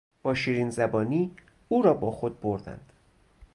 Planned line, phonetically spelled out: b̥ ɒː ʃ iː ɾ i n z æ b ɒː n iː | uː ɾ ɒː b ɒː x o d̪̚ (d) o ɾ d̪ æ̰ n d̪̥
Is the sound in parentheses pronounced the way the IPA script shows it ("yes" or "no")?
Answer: no